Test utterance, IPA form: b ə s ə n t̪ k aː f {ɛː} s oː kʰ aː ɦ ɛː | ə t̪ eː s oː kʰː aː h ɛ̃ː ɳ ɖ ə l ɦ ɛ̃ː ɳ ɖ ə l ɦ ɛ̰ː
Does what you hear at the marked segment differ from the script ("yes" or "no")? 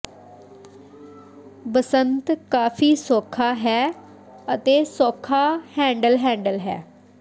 yes